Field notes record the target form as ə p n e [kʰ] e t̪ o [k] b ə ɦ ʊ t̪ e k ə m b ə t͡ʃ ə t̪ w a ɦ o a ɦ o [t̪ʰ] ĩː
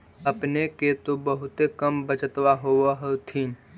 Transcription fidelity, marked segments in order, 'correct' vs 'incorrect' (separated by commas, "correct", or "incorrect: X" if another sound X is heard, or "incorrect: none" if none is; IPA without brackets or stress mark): incorrect: k, incorrect: none, correct